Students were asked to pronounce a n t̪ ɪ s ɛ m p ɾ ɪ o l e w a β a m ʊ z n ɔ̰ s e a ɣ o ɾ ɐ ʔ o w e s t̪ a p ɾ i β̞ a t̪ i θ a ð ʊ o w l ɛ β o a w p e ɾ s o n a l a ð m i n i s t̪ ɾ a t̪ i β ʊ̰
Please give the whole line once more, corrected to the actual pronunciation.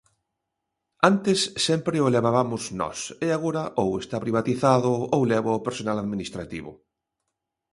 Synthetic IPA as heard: a n t̪ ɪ sː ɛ m p ɾ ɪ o l e β a β a m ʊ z n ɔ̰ s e a ɣ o ɾ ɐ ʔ o w e s t̪ a p ɾ i β̞ a t̪ i θ a ð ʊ o w l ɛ β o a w p e ɾ s o n a l a ð m i n i s t̪ ɾ a t̪ i β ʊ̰